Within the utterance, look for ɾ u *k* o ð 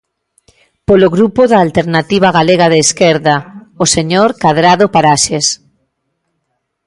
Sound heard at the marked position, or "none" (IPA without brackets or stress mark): p